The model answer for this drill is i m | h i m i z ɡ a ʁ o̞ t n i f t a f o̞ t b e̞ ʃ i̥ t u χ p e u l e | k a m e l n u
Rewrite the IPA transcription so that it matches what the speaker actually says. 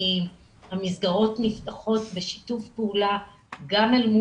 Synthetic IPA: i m | h a m i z ɡ a ʁ o̞ t n i f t a χ o̞ t b e̞ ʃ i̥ t u f p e u l a | ɡ a m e l m u